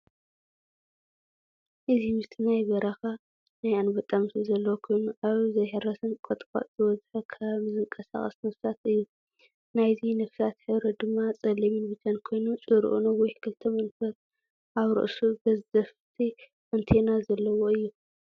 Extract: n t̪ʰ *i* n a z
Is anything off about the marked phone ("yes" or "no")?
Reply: yes